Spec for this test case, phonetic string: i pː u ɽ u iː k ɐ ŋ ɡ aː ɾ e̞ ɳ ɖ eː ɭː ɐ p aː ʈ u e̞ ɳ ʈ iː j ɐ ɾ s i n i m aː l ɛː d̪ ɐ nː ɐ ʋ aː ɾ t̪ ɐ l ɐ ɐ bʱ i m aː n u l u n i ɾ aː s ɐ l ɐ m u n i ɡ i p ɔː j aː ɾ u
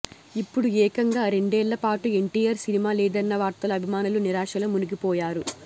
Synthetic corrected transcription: i pː u ɽ u ɛː k ɐ ŋ ɡ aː ɾ e̞ ɳ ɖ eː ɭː ɐ p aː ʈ u e̞ ɳ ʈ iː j ɐ ɾ s i n i m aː l ɛː d̪ ɐ nː ɐ ʋ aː ɾ t̪ ɐ l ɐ ɐ bʱ i m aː n u l u n i ɾ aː ʂ ɐ l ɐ m u n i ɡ i p ɔː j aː ɾ u

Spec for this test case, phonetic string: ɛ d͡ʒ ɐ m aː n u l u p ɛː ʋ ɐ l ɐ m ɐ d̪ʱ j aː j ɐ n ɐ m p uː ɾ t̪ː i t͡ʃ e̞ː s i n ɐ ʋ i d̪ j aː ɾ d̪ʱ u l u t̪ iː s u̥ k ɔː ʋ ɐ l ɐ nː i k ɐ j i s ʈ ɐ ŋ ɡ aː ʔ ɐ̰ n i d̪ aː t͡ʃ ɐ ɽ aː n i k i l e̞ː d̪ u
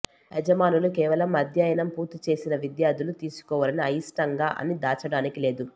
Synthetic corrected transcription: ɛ d͡ʒ ɐ m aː n u l u k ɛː ʋ ɐ l ɐ m ɐ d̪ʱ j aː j ɐ n ɐ m p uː ɾ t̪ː i t͡ʃ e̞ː s i n ɐ ʋ i d̪ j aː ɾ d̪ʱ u l u t̪ iː s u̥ k ɔː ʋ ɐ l ɐ n i ɐ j i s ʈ ɐ ŋ ɡ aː ʔ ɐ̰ n i d̪ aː t͡ʃ ɐ ɽ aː n i k i l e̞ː d̪ u

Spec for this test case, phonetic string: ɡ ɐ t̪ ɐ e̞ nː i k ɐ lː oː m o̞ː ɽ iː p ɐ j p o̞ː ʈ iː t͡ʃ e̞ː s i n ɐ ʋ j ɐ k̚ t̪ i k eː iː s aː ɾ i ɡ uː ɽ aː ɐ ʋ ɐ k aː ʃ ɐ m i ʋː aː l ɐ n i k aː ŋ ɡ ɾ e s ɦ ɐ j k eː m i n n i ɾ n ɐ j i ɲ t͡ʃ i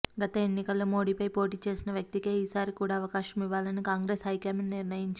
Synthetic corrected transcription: ɡ ɐ t̪ ɐ e̞ nː i k ɐ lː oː m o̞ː ɽ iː p ɐ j p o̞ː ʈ iː t͡ʃ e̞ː s i n ɐ ʋ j ɐ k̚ t̪ i k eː iː s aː ɾ i k uː ɽ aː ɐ ʋ ɐ k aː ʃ ɐ m i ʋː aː l ɐ n i k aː ŋ ɡ ɾ e s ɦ ɐ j k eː m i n n i ɾ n ɐ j i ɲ t͡ʃ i

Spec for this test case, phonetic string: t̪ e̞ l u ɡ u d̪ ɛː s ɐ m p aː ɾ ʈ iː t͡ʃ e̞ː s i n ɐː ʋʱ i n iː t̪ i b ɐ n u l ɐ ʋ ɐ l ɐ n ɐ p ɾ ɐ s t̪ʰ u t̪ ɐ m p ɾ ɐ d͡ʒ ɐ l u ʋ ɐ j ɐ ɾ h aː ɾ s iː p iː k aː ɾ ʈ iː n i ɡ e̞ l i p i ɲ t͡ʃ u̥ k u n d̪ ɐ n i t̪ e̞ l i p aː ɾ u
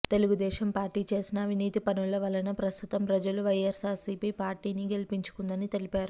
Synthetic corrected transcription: t̪ e̞ l u ɡ u d̪ ɛː ʃ ɐ m p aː ɾ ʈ iː t͡ʃ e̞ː s i n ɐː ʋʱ i n iː t̪ i p ɐ n u l ɐ ʋ ɐ l ɐ n ɐ p ɾ ɐ s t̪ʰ u t̪ ɐ m p ɾ ɐ d͡ʒ ɐ l u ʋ ɐ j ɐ ɾ s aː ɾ s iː p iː p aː ɾ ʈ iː n i ɡ e̞ l i p i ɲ t͡ʃ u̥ k u n d̪ ɐ n i t̪ e̞ l i p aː ɾ u

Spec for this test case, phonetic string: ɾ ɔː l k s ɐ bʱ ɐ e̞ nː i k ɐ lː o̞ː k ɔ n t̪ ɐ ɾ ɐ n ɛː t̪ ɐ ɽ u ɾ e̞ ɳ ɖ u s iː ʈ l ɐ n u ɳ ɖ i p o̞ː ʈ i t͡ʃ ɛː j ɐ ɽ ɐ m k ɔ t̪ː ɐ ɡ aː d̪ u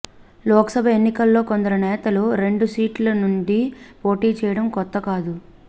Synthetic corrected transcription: l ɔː k s ɐ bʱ ɐ e̞ nː i k ɐ lː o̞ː k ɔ n d̪ ɐ ɾ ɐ n ɛː t̪ ɐ l u ɾ e̞ ɳ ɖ u s iː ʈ l ɐ n u ɳ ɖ i p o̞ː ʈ iː t͡ʃ ɛː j ɐ ɽ ɐ m k ɔ t̪ː ɐ k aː d̪ u

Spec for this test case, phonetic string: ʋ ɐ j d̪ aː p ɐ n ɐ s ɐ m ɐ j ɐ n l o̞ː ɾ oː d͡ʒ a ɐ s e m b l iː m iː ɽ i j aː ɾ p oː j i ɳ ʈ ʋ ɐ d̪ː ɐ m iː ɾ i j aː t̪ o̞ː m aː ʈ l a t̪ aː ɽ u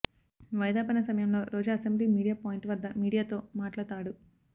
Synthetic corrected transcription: ʋ ɐ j d̪ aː p ɐ n ɐ s ɐ m ɐ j ɐ m l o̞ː ɾ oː d͡ʒ a ɐ s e m b l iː m iː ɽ i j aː p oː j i ɳ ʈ ʋ ɐ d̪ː ɐ m iː ɽ i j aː t̪ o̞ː m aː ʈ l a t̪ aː ɽ u

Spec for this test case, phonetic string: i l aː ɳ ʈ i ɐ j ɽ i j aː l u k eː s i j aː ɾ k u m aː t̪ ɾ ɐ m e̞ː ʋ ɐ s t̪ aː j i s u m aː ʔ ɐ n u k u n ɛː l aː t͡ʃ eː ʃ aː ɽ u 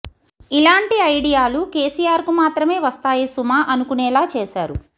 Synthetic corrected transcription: i l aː ɳ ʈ i ɐ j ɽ i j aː l u k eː s i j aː ɾ k u m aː t̪ ɾ ɐ m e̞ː ʋ ɐ s t̪ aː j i s u m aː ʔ ɐ n u k u n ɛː l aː t͡ʃ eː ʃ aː ɾ u

